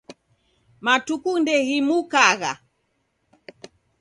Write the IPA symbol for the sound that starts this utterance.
m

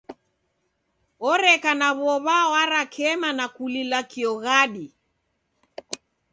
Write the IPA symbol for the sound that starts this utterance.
ɔ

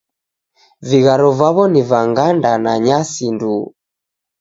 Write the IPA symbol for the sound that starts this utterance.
v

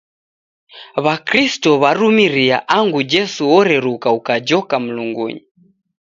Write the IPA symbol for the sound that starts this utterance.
β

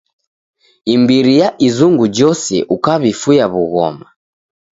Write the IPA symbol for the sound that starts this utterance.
i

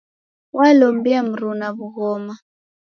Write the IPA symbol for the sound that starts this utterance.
w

